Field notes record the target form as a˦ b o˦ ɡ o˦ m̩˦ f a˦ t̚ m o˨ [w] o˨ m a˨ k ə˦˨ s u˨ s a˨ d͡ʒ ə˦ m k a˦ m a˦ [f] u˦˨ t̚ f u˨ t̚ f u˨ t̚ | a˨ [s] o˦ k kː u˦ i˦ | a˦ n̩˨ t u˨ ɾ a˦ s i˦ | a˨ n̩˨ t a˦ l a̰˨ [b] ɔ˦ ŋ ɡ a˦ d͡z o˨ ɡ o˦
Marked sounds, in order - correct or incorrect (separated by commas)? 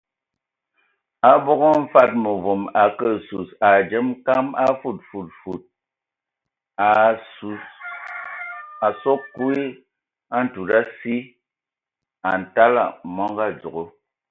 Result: incorrect, correct, correct, incorrect